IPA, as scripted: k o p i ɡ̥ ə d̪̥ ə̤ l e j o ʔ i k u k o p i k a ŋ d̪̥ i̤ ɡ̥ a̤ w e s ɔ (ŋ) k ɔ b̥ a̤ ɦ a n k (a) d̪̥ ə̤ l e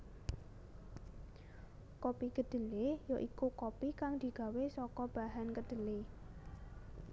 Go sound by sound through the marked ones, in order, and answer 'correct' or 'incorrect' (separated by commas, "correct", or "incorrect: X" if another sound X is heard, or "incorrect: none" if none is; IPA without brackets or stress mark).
incorrect: none, incorrect: ə